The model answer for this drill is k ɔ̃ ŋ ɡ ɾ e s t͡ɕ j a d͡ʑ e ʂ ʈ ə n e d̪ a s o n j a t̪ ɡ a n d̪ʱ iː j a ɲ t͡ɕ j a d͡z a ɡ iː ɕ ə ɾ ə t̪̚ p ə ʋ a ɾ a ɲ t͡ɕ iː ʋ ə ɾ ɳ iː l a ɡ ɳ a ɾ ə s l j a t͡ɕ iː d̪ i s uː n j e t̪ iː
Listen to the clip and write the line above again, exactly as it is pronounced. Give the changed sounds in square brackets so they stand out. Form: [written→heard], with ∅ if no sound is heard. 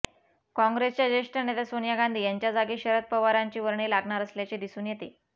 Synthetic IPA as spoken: k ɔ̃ ŋ ɡ ɾ e s t͡ɕ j a d͡ʑ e ʂ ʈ ə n e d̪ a s o n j a [t̪→∅] ɡ a n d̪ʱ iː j a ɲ t͡ɕ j a d͡z a ɡ iː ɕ ə ɾ ə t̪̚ p ə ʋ a ɾ a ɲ t͡ɕ iː ʋ ə ɾ ɳ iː l a ɡ ɳ a ɾ ə s l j a t͡ɕ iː d̪ i s uː n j e t̪ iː